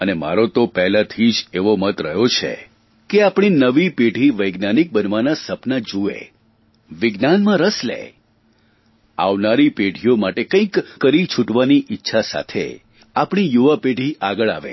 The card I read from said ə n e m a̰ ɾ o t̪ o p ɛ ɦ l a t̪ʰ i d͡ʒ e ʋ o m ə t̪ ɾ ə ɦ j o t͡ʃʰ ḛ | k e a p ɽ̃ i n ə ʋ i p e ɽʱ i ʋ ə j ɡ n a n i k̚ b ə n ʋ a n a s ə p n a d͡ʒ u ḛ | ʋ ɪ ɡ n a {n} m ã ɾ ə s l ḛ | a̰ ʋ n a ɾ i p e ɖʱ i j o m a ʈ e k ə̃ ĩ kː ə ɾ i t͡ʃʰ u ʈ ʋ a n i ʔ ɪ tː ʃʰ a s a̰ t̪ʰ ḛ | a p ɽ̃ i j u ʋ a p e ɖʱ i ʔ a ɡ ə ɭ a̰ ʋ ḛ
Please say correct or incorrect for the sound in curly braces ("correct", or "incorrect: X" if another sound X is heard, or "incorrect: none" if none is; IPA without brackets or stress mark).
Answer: correct